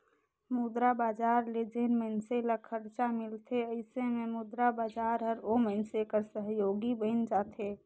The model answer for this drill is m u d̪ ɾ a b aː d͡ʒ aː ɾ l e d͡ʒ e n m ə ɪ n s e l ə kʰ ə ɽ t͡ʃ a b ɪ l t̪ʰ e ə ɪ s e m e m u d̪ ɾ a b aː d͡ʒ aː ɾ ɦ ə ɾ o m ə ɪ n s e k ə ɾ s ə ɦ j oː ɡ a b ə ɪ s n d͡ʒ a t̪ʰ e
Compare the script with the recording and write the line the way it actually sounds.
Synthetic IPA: m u d̪ ɾ a b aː d͡ʒ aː ɾ l e d͡ʒ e n m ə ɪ n s e l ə kʰ ə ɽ t͡ʃ a m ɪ l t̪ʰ e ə ɪ s e m e m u d̪ ɾ a b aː d͡ʒ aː ɾ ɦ ə ɾ o m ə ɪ n s e k ə ɾ s ə ɦ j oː ɡ i b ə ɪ n d͡ʒ a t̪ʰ e

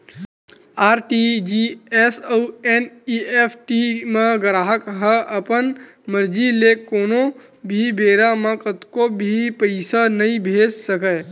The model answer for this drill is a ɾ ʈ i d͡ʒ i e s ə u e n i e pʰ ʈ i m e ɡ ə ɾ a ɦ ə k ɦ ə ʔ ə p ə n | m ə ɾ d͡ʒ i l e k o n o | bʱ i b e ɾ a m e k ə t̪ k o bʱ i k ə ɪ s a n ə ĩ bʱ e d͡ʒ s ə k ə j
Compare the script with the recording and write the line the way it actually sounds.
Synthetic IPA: a ɾ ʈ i d͡ʒ i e s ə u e n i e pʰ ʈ i m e ɡ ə ɾ a ɦ ə k ɦ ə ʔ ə p ə n | m ə ɾ d͡ʒ i l e k o n o | bʱ i b e ɾ a m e k ə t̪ k o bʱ i p ə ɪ s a n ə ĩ bʱ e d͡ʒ s ə k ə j

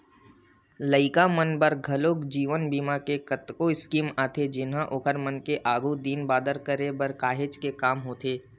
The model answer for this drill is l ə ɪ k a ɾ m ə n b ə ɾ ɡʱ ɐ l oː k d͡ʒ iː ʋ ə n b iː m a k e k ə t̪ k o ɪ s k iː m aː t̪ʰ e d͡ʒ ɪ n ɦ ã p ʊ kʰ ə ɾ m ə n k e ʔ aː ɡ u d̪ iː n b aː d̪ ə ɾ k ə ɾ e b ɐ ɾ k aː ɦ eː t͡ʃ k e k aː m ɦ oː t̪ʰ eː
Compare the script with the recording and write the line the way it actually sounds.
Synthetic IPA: l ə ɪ k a m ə n b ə ɾ ɡʱ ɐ l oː k d͡ʒ iː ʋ ə n b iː m a k e k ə t̪ k o ɪ s k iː m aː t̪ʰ e d͡ʒ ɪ n ɦ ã ʔ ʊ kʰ ə ɾ m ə n k e ʔ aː ɡ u d̪ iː n b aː d̪ ə ɾ k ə ɾ e b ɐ ɾ k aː ɦ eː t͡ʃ k e k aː m ɦ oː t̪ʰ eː

